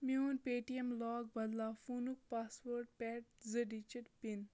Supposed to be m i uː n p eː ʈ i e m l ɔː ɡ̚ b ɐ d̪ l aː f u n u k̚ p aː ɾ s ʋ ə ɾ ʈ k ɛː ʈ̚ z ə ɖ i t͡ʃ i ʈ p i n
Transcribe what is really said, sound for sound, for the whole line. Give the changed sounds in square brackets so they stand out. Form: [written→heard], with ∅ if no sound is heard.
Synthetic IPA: m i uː n p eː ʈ i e m l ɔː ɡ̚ b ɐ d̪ l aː f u n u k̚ p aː [ɾ→∅] s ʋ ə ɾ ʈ [k→p] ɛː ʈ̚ z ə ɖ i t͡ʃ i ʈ p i n